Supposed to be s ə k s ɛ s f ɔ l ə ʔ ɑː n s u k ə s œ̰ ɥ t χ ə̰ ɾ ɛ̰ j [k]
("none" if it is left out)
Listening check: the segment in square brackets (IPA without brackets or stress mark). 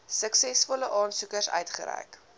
k